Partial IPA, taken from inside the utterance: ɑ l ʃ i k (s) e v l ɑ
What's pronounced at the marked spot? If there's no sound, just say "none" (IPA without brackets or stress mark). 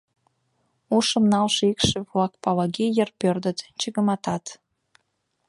ʃ